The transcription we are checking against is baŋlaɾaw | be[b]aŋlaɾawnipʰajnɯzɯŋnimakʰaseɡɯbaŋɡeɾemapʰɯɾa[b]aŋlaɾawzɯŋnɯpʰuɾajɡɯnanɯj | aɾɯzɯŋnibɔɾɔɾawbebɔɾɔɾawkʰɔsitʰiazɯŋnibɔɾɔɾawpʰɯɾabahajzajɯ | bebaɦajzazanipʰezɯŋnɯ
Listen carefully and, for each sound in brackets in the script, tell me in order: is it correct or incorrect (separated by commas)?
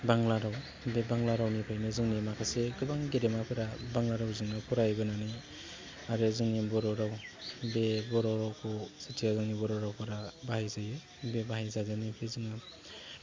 correct, correct